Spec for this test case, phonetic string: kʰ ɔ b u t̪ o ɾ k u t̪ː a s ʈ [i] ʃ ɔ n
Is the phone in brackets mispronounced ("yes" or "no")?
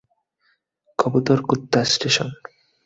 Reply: yes